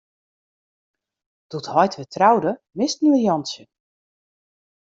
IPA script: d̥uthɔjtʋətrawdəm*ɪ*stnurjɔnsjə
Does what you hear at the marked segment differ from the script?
no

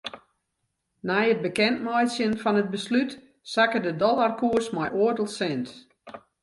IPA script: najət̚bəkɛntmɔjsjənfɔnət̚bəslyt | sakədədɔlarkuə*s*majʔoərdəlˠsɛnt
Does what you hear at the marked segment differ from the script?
no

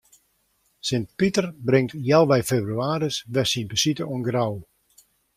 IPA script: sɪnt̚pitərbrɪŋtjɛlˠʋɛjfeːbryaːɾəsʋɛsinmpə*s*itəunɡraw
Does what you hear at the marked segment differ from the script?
no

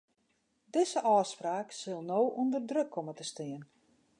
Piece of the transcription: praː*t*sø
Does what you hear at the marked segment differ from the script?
yes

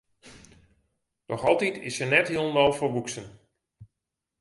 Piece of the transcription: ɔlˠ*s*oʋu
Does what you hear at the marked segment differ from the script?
yes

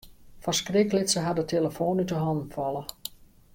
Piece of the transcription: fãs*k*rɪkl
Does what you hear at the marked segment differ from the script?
no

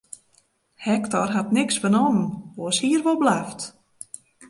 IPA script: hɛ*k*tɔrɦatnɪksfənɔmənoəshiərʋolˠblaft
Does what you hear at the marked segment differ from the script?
no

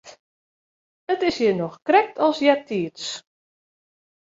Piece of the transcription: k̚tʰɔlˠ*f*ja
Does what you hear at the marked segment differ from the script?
yes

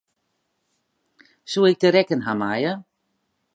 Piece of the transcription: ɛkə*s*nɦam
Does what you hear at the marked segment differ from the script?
yes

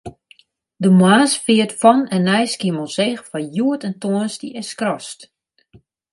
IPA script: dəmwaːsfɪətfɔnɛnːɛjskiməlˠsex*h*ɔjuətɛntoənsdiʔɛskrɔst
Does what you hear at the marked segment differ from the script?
yes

